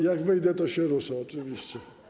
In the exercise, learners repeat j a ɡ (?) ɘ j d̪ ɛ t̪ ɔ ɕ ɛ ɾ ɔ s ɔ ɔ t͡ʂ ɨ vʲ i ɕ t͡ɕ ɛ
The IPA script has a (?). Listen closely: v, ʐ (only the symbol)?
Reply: v